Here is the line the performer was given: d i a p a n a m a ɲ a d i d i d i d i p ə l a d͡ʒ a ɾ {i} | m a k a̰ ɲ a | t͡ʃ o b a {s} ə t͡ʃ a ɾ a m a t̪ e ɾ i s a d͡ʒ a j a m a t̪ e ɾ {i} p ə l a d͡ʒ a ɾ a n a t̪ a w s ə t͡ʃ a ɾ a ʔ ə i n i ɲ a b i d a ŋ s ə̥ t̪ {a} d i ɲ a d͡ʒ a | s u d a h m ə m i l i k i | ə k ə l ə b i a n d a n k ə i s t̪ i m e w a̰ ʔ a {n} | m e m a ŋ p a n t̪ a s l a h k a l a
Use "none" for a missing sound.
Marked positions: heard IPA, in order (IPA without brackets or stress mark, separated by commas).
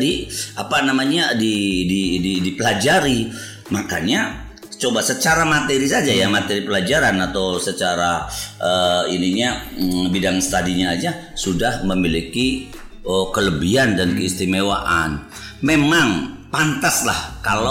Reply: i, s, i, a, n